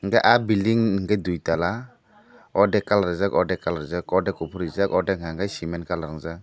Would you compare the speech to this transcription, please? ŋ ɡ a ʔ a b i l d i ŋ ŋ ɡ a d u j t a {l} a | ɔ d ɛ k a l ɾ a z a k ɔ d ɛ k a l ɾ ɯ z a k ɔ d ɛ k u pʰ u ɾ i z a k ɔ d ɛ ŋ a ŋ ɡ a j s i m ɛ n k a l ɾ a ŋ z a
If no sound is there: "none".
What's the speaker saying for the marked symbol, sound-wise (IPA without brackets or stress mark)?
l